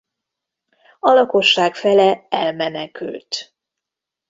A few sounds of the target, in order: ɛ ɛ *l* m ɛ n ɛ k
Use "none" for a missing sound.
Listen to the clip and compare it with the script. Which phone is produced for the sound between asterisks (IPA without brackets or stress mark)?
l